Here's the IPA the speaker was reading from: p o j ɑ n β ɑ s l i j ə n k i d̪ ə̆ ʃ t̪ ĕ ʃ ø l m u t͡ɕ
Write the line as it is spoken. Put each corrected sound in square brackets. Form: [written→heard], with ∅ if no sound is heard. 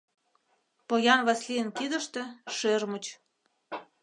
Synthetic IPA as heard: p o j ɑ n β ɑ s l i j ə n k i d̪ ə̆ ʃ t̪ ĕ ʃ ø [l→r] m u t͡ɕ